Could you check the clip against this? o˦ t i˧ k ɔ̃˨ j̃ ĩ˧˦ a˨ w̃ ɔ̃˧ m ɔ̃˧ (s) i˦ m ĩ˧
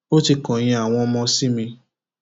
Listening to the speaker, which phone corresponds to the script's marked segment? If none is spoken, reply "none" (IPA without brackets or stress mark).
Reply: s